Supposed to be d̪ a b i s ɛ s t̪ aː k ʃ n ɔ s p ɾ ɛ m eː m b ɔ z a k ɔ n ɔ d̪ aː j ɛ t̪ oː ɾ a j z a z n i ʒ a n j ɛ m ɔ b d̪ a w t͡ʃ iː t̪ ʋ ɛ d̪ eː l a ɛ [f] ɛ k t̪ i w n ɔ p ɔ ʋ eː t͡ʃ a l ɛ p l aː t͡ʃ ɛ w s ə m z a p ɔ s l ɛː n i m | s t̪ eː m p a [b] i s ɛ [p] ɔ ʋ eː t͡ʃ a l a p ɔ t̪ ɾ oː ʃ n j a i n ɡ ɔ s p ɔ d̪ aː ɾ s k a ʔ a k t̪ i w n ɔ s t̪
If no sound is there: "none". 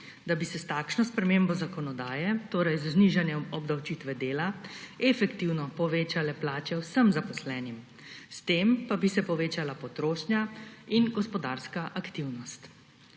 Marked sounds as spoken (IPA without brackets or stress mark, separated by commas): f, b, p